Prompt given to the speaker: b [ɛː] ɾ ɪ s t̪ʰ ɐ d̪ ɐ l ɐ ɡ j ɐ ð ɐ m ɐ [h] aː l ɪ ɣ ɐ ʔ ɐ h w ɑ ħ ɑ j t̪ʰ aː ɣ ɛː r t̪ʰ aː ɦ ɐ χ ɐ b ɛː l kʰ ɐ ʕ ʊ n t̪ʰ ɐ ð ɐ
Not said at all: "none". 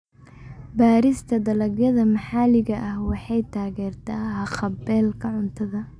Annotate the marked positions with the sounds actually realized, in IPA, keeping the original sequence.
aː, ħ

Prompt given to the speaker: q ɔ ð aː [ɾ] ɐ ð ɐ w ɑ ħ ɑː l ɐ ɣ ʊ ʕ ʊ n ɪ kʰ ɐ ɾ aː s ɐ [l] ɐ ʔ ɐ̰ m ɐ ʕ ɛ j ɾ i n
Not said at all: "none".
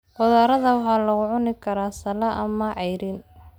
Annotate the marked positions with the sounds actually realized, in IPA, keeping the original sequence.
ɾ, l

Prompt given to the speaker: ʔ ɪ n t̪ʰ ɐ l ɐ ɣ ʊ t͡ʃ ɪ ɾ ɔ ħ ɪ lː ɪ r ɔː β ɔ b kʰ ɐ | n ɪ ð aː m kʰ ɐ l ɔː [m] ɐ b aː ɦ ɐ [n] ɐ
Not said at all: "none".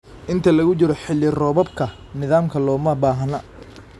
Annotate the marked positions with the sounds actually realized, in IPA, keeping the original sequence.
m, n

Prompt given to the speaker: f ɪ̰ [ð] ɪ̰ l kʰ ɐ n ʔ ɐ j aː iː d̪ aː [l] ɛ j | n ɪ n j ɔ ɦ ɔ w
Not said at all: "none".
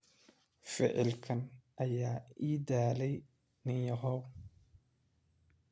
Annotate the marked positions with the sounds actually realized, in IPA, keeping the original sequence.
ʕ, l

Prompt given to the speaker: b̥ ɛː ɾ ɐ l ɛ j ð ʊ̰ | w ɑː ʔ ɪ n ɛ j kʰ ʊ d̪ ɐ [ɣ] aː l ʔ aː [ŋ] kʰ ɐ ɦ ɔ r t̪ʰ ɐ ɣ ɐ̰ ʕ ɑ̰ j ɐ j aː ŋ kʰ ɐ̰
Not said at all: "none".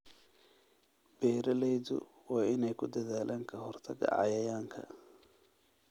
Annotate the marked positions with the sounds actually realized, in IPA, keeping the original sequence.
ð, ŋ

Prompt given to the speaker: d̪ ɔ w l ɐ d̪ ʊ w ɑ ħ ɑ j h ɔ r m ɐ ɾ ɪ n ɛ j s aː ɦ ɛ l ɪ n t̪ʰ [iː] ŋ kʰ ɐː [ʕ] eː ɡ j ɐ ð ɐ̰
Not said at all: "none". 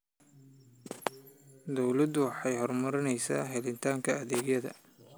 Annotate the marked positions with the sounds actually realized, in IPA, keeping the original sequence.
aː, ð

